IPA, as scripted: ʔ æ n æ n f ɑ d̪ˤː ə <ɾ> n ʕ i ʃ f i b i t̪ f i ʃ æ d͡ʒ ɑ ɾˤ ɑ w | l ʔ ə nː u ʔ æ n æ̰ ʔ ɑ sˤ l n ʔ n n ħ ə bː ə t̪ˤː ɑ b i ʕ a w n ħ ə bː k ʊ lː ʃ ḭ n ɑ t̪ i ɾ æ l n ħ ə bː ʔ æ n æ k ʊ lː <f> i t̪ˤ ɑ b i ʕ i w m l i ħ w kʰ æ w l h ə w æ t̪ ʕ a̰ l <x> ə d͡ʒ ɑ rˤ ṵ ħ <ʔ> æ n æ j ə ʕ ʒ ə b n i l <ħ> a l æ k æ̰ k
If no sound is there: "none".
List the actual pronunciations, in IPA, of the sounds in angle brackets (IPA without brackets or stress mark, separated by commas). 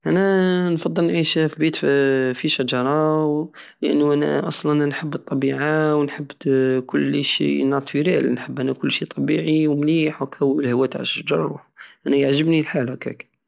l, ʃ, ʃ, ʔ, ħ